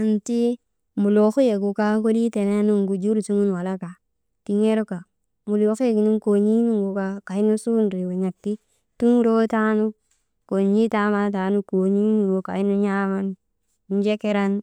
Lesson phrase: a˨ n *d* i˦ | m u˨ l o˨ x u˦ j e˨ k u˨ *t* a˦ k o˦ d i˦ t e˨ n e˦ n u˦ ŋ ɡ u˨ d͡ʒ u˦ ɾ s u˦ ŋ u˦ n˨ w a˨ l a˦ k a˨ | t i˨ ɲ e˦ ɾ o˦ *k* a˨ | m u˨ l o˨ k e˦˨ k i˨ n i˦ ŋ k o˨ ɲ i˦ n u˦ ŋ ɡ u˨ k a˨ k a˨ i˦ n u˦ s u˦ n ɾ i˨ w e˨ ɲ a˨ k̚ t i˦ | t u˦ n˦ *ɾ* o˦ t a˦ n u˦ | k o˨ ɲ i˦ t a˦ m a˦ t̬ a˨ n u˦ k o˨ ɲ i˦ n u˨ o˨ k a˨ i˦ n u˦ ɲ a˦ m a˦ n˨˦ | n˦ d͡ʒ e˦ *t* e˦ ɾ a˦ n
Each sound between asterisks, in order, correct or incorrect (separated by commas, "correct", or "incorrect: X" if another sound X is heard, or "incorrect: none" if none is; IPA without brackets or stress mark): incorrect: t, incorrect: k, correct, correct, incorrect: k